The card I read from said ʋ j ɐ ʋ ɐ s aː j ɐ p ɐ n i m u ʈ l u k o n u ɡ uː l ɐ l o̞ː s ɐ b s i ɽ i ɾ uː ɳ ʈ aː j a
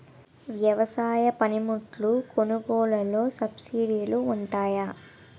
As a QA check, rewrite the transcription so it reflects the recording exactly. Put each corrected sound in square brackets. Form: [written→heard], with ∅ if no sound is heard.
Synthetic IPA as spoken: ʋ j ɐ ʋ ɐ s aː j ɐ p ɐ n i m u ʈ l u k o n u ɡ [uː→ɔː] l ɐ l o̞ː s ɐ b s i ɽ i [ɾ→l] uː ɳ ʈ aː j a

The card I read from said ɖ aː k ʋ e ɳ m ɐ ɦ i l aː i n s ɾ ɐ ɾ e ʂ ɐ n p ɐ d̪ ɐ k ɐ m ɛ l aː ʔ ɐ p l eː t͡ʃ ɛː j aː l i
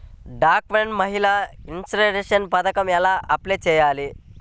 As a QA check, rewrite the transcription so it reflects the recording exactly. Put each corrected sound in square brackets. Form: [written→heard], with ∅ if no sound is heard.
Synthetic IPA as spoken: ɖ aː k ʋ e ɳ m ɐ ɦ i l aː i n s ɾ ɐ ɾ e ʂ ɐ n p ɐ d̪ ɐ k ɐ m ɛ l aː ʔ ɐ p l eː t͡ʃ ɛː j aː l i

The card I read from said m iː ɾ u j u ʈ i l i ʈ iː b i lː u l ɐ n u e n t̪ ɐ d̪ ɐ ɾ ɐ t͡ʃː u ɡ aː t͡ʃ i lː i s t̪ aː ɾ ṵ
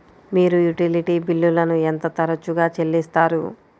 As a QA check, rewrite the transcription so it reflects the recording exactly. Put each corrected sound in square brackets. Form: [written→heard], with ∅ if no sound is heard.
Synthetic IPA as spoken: m iː ɾ u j u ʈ i l i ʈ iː b i lː u l ɐ n u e n t̪ ɐ [d̪→t̪] ɐ ɾ ɐ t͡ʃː u ɡ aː t͡ʃ [i→e] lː i s t̪ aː ɾ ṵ

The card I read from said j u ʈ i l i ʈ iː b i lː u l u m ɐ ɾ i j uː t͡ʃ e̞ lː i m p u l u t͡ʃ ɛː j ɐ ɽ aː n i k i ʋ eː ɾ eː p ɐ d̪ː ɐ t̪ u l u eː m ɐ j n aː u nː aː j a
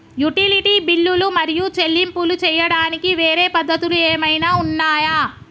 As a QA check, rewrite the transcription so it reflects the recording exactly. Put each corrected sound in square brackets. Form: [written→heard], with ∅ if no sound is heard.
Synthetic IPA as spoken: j u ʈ i l i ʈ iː b i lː u l u m ɐ ɾ i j [uː→u] t͡ʃ e̞ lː i m p u l u t͡ʃ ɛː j ɐ ɽ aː n i k i ʋ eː ɾ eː p ɐ d̪ː ɐ t̪ u l u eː m ɐ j n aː u nː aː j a

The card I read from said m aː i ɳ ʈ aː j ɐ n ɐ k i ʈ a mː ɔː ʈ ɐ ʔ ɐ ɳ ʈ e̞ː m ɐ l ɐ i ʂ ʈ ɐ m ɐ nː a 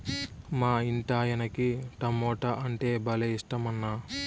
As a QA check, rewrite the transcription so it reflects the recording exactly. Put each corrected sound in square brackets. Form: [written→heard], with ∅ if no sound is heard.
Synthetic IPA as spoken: m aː i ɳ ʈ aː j ɐ n ɐ k i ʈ [a→ɐ] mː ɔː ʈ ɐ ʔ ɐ ɳ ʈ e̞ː [m→b] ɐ l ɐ i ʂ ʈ ɐ m ɐ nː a

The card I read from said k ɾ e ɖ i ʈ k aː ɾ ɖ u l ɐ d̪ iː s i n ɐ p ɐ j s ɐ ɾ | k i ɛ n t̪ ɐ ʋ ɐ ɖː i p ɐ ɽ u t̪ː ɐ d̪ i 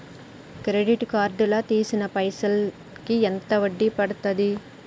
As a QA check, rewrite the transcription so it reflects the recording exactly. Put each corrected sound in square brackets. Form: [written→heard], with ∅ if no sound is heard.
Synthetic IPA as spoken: k ɾ e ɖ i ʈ k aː ɾ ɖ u l ɐ [d̪→t̪] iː s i n ɐ p ɐ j s ɐ [ɾ→l] | k i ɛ n t̪ ɐ ʋ ɐ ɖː i p ɐ ɽ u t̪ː ɐ d̪ i

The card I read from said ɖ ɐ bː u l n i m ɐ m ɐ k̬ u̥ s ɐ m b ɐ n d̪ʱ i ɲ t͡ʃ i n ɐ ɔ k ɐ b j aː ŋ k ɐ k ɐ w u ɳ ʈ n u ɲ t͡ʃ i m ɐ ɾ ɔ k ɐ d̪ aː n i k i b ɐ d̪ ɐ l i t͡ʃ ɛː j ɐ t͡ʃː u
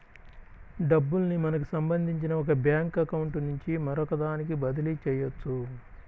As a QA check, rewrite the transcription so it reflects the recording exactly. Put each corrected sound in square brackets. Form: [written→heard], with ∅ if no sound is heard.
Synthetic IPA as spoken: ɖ ɐ bː u l n i m ɐ [m→n] ɐ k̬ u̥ s ɐ m b ɐ n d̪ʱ i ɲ t͡ʃ i n ɐ ɔ k ɐ b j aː ŋ k ɐ k ɐ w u ɳ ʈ n u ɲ t͡ʃ i m ɐ ɾ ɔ k ɐ d̪ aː n i k i b ɐ d̪ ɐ l i t͡ʃ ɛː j ɐ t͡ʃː u

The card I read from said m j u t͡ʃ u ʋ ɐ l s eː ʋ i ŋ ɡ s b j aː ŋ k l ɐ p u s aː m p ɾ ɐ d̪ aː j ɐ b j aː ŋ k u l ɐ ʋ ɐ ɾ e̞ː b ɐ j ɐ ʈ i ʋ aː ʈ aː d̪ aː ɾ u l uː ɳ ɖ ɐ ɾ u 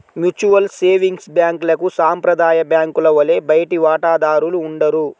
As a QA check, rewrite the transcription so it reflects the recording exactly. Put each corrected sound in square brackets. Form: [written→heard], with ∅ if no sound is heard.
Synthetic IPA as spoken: m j u t͡ʃ u ʋ ɐ l s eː ʋ i ŋ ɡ s b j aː ŋ k l ɐ [p→k] u s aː m p ɾ ɐ d̪ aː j ɐ b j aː ŋ k u l ɐ ʋ ɐ [ɾ→l] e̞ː b ɐ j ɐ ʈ i ʋ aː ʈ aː d̪ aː ɾ u l uː ɳ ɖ ɐ ɾ u

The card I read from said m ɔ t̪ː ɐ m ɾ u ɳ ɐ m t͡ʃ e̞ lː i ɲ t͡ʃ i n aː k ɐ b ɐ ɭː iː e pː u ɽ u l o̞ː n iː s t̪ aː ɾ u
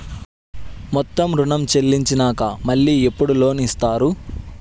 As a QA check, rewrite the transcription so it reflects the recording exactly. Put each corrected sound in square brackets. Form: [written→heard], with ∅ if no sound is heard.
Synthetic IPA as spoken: m ɔ t̪ː ɐ m ɾ u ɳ ɐ m t͡ʃ e̞ lː i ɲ t͡ʃ i n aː k ɐ [b→m] ɐ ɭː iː e pː u ɽ u l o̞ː n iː s t̪ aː ɾ u

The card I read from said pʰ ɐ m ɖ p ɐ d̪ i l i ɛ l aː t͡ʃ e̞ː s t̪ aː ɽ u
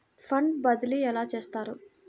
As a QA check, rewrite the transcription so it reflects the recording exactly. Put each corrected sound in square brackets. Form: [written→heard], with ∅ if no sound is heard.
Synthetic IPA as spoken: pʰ ɐ [m→ɳ] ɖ [p→b] ɐ d̪ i l i ɛ l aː t͡ʃ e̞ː s t̪ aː [ɽ→ɾ] u

